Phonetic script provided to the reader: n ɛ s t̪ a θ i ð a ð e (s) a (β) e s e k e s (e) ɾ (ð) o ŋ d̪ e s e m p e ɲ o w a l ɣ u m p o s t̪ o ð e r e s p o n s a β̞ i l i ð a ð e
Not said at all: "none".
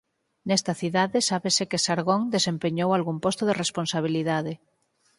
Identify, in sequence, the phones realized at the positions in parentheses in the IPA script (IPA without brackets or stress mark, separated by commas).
s, β, a, ɣ